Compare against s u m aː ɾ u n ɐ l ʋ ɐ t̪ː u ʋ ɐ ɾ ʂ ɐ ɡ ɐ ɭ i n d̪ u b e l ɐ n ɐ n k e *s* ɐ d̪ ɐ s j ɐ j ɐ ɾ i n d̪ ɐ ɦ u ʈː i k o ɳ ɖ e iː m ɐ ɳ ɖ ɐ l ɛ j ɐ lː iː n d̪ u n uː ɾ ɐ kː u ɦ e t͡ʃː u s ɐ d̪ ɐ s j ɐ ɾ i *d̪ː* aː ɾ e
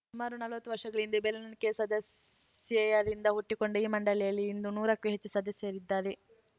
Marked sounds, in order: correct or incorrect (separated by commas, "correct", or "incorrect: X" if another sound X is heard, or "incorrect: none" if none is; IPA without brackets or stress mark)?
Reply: correct, correct